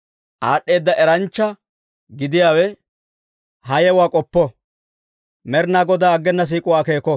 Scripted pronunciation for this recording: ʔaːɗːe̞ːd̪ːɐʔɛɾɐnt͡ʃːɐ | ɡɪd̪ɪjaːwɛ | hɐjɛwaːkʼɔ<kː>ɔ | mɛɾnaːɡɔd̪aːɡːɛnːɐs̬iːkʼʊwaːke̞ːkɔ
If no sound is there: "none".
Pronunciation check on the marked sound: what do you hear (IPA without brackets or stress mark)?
pː